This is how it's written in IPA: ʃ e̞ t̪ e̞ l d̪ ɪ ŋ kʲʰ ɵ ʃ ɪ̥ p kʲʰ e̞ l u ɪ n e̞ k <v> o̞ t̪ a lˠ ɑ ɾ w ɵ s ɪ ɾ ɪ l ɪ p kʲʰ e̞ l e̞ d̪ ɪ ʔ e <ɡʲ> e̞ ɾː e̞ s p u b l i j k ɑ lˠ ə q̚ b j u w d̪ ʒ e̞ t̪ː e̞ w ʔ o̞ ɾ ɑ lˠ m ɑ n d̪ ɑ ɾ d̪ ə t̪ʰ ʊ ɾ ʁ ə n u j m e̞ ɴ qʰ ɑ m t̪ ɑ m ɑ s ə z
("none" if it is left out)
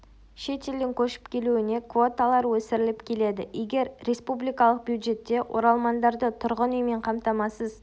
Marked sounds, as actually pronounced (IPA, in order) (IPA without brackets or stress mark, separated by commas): v, ɡʲ